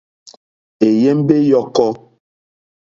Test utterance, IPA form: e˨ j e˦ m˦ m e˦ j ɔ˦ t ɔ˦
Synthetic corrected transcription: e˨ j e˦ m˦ b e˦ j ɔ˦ k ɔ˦